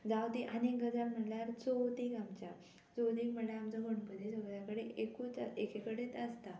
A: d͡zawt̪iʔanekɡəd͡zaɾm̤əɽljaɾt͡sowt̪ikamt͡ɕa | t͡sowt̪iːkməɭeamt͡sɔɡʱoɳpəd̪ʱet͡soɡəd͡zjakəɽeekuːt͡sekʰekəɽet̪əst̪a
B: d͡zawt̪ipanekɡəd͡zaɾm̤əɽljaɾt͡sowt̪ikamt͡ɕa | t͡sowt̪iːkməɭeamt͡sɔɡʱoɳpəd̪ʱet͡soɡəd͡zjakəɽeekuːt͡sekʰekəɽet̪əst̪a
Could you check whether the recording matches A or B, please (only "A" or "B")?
A